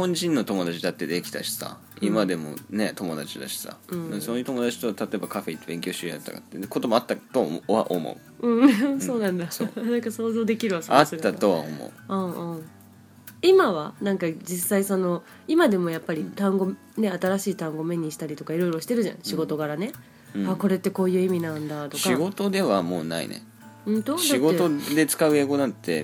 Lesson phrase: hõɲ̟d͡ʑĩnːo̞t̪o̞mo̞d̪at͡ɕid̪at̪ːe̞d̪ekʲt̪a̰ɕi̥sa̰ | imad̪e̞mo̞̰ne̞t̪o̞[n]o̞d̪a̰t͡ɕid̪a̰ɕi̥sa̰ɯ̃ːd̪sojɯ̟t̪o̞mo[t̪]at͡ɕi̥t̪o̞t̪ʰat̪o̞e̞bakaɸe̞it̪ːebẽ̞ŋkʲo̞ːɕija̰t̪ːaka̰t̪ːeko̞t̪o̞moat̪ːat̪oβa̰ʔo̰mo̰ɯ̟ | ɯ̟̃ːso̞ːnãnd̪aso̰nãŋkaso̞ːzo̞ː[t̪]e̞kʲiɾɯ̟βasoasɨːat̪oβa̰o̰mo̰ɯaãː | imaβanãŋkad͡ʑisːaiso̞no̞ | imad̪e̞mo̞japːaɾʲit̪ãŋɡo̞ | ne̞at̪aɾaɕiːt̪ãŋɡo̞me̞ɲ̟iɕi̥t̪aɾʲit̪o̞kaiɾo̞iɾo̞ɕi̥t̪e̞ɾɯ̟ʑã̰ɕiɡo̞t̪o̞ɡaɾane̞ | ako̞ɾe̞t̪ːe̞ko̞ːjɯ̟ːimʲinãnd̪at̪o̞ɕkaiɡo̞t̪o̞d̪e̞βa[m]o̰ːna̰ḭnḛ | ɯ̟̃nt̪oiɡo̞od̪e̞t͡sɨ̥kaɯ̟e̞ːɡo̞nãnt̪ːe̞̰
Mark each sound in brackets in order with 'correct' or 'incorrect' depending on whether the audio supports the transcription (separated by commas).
incorrect, incorrect, incorrect, correct